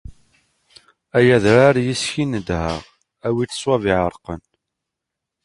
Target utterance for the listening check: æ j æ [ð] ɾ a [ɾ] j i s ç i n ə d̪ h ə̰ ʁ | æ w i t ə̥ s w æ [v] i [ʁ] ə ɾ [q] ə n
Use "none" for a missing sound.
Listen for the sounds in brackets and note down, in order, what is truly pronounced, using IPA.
ð, ɾ, v, ʕ, q

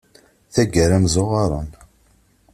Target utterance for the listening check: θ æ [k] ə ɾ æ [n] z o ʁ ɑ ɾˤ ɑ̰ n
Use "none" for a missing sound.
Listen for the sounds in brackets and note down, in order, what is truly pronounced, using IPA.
ɡ, m

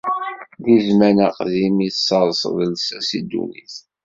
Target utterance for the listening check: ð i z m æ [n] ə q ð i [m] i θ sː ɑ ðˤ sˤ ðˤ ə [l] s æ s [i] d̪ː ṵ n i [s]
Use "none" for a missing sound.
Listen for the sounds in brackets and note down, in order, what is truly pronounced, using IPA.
n, m, l, i, θ

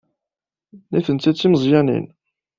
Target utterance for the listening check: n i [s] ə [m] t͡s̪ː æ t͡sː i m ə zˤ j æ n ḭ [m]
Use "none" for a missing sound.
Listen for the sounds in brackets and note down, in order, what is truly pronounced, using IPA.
θ, n, n

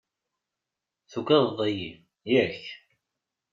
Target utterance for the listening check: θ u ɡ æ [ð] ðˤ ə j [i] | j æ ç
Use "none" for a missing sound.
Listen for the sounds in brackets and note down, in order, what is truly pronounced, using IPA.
ð, i

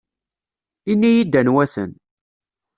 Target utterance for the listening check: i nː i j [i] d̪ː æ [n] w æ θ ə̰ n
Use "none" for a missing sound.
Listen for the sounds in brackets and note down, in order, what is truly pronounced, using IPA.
i, n

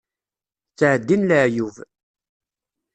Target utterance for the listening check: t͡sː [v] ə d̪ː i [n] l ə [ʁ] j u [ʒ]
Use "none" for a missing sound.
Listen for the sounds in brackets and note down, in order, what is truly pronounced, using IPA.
ʕ, n, ʕ, v

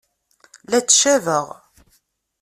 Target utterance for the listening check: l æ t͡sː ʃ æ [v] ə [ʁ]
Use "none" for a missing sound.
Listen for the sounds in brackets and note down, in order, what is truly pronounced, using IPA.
v, ʁ

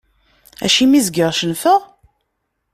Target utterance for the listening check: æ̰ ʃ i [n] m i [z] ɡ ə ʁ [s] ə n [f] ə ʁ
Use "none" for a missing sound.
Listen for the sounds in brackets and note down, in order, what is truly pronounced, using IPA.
none, z, ʃ, f

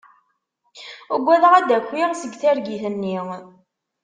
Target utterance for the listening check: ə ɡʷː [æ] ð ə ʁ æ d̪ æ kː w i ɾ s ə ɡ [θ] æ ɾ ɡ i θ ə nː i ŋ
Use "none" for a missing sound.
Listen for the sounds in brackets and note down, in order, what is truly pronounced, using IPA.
æ, θ

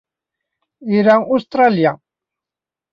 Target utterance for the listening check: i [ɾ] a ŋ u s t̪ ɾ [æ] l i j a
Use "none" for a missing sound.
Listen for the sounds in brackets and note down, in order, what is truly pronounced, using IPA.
ɾ, a

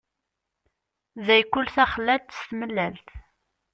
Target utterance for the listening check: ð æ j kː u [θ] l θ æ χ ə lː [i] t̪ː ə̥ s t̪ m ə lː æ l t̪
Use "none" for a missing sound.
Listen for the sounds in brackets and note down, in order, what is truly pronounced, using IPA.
none, æ

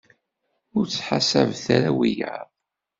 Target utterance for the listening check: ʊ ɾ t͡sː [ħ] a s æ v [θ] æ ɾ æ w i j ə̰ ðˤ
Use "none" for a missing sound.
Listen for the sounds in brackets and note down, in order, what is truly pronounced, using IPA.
ħ, θ

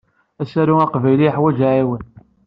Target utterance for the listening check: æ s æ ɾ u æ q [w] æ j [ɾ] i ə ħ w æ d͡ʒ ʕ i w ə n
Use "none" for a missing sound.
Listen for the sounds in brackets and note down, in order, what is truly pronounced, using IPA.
v, l

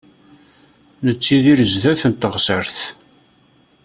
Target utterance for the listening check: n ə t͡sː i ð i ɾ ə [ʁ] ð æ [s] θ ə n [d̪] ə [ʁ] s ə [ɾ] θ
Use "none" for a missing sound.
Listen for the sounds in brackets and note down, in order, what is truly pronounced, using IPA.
z, none, t̪, ʁ, ɾ

